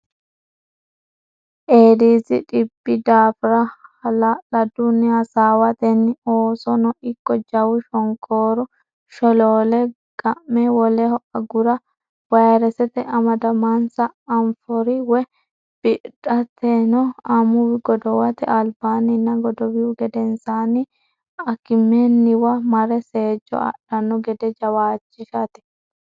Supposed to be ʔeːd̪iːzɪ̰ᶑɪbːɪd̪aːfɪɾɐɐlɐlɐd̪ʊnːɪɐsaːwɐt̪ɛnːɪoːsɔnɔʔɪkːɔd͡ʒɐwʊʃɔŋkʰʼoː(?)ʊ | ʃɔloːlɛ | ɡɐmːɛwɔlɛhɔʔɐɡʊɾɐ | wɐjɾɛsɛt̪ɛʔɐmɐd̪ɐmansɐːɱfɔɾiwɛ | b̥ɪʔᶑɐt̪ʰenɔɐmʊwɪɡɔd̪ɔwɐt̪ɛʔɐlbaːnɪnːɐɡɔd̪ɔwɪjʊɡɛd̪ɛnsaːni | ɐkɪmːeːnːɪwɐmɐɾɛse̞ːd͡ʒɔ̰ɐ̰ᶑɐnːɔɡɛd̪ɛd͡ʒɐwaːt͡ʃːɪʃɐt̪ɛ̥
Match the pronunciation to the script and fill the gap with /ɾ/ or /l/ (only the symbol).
ɾ